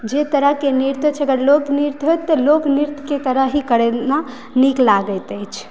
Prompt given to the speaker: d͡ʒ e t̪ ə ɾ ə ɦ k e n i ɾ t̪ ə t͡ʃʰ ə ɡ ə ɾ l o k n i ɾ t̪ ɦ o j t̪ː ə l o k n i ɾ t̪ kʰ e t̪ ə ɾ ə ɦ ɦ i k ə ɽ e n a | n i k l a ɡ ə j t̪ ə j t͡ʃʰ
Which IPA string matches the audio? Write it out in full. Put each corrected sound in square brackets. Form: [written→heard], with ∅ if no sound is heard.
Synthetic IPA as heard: d͡ʒ e t̪ ə ɾ ə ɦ k e n i ɾ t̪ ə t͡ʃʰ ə ɡ ə ɾ l o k n i ɾ t̪ ɦ o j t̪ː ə l o k n i ɾ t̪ [kʰ→k] e t̪ ə ɾ ə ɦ ɦ i k ə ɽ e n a | n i k l a ɡ ə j t̪ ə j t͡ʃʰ